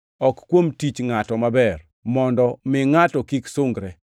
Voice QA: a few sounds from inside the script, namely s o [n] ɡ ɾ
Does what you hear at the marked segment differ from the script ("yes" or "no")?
yes